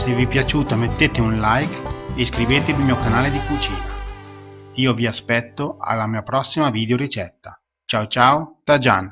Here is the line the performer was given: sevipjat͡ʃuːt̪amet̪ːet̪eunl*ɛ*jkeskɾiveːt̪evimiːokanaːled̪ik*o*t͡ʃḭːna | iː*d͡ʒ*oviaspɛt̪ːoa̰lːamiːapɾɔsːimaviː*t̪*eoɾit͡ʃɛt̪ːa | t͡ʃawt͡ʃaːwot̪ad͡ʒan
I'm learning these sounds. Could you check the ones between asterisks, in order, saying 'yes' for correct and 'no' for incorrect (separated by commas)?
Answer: no, no, no, no